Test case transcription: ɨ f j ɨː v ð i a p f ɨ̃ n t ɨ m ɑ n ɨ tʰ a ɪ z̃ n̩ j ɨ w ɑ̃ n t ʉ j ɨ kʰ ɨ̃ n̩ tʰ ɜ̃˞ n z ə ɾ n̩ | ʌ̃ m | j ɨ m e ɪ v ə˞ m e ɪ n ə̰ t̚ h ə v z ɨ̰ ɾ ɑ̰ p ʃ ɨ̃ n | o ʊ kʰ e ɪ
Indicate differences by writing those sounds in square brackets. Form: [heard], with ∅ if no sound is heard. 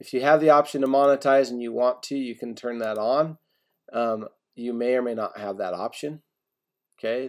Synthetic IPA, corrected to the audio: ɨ f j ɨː v ð i [ɑ] p [ʃ] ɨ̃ n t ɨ m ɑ n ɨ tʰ a ɪ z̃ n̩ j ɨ w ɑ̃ n [tʰ] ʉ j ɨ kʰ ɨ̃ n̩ tʰ ɜ̃˞ n [ð] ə ɾ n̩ | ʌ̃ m | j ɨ m e ɪ [∅] ə˞ m e ɪ n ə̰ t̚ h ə v [ð] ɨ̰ ɾ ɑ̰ p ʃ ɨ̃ n | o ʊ kʰ e ɪ

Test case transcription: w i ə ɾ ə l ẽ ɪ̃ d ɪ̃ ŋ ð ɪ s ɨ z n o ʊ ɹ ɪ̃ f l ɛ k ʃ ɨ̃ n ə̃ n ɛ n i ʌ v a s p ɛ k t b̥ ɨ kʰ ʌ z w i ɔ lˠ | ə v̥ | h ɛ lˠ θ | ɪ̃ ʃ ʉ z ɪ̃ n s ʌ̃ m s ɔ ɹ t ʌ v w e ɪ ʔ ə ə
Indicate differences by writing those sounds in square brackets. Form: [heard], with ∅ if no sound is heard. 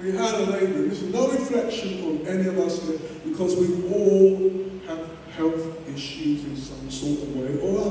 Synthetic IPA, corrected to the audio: w i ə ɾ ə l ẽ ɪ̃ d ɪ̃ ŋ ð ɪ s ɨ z n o ʊ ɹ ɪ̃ f l ɛ k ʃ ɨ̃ n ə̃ n ɛ n i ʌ v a s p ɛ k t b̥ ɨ kʰ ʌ z w i ɔ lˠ | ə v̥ | h ɛ lˠ θ | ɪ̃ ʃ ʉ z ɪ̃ n s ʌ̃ m s ɔ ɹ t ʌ v w e ɪ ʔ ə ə

